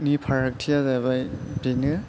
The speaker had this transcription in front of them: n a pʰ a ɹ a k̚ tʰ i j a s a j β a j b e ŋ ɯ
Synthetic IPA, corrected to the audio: n i pʰ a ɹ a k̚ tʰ i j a z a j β a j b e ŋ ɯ